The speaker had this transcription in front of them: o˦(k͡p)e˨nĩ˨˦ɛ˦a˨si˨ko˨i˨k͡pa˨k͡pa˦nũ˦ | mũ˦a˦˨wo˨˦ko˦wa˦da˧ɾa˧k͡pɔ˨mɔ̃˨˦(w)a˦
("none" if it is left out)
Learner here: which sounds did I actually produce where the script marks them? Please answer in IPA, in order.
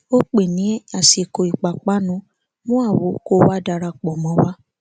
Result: k͡p, w

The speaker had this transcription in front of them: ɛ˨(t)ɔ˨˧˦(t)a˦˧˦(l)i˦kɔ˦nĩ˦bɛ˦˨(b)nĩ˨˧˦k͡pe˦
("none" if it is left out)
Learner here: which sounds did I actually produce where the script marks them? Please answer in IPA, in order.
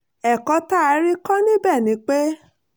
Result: k, t, ɾ, none

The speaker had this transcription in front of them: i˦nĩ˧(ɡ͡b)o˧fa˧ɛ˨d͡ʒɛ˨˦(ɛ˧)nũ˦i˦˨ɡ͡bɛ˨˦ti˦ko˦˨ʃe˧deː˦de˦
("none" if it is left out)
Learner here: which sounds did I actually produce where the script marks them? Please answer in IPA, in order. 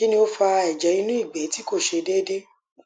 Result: none, i˧

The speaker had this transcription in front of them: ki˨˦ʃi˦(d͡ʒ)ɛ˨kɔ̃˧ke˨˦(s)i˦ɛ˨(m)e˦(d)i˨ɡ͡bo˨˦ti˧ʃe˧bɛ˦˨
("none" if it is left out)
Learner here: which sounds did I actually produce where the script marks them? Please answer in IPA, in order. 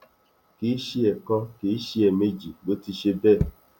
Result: none, ʃ, m, d͡ʒ

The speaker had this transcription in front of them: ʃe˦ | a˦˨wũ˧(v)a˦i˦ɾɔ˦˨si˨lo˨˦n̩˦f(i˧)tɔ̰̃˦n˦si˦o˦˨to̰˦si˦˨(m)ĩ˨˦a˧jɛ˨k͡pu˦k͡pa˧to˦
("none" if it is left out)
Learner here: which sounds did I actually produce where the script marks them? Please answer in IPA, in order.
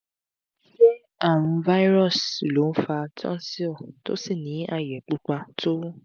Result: v, a˧, n

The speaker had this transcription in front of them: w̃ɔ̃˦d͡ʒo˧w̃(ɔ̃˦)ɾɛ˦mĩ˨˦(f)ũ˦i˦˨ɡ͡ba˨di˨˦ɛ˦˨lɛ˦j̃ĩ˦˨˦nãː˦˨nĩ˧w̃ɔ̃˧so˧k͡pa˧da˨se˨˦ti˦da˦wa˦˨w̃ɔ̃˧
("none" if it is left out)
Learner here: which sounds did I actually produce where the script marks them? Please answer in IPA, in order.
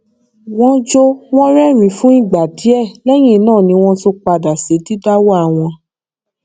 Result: ɔ̃˦, f

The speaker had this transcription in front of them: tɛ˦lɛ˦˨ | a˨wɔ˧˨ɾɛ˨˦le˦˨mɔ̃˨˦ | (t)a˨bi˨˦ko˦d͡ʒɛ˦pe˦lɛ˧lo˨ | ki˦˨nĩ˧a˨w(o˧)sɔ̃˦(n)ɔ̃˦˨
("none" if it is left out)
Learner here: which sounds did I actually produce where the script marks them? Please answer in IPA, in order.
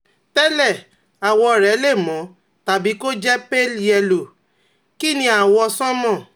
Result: t, ɔ˧, m

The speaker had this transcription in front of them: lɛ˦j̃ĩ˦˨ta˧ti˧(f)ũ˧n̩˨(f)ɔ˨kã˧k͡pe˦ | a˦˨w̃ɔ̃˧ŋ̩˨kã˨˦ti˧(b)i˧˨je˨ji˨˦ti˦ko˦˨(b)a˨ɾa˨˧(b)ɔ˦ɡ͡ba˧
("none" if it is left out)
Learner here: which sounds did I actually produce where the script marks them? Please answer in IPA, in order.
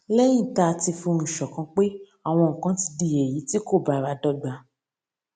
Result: f, ʃ, d, b, d

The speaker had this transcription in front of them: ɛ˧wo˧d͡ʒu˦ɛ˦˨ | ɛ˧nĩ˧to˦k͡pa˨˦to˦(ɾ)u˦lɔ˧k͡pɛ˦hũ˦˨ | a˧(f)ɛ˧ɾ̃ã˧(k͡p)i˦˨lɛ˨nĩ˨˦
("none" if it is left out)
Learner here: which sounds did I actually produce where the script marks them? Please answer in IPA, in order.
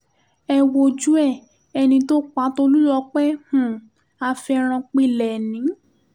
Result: l, f, k͡p

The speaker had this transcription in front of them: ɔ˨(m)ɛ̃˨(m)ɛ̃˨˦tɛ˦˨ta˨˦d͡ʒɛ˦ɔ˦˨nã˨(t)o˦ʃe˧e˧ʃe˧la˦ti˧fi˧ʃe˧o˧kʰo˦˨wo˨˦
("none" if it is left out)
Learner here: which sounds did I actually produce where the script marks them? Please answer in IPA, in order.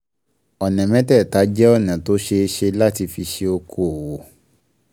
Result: n, m, t

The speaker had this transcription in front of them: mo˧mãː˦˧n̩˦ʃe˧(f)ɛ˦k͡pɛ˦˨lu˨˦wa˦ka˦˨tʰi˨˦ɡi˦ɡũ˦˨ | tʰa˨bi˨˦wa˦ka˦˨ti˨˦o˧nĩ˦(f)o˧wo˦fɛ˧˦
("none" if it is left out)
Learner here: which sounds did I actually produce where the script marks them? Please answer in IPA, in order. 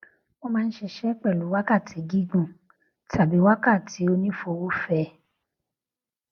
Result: ʃ, f

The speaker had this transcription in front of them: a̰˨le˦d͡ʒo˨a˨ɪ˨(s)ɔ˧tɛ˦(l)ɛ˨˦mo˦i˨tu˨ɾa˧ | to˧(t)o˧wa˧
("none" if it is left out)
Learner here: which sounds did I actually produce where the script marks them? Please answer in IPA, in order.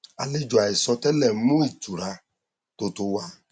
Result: s, l, t

